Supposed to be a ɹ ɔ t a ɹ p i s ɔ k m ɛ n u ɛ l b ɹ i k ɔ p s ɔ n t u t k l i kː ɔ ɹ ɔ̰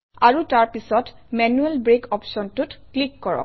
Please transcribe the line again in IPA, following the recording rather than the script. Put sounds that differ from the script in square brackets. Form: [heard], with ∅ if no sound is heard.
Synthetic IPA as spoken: a ɹ [u] t a ɹ p i s ɔ [t] m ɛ n u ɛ l b ɹ [e] k ɔ p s ɔ n t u t k l i kː ɔ ɹ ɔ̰